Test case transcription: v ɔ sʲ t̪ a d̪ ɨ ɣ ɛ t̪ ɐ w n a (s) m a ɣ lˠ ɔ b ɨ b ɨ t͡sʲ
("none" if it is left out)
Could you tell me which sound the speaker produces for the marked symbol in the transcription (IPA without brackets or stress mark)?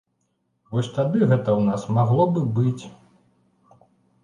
s